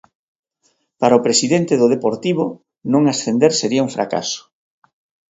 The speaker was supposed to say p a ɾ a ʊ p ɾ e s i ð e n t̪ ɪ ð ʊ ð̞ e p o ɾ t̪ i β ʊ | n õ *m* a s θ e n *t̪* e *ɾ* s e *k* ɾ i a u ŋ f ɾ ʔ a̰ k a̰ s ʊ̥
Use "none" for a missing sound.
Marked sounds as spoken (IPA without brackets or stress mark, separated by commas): ŋ, d̪, ɾ, none